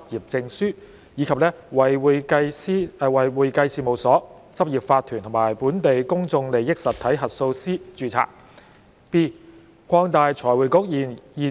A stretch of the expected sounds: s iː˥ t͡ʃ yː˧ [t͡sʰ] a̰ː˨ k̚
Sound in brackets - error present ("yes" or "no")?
no